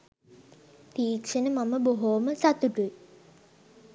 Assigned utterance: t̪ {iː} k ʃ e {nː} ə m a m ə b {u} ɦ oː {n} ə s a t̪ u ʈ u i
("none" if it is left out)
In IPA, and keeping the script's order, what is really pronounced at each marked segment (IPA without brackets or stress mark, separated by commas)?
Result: iː, n, o, m